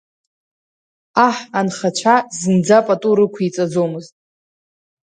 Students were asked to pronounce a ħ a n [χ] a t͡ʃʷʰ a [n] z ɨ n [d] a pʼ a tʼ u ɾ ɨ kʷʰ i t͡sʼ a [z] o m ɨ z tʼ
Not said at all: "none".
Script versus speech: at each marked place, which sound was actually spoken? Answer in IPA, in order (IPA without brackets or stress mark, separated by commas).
χ, none, d͡z, d͡z